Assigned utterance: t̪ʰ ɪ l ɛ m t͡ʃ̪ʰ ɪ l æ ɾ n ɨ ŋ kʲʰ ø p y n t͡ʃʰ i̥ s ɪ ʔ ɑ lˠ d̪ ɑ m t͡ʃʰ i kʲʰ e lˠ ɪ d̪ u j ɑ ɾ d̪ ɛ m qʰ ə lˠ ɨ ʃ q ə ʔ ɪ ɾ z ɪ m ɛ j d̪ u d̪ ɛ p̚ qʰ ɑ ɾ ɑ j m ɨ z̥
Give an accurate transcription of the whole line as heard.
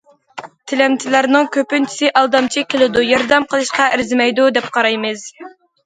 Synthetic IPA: t̪ʰ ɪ l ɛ m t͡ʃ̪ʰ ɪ l æ ɾ n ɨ ŋ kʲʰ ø p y n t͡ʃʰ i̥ s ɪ ʔ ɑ lˠ d̪ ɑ m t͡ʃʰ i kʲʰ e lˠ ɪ d̪ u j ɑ ɾ d̪ ɛ m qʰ ə lˠ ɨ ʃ q ɑ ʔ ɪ ɾ z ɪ m ɛ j d̪ u d̪ ɛ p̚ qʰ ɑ ɾ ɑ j m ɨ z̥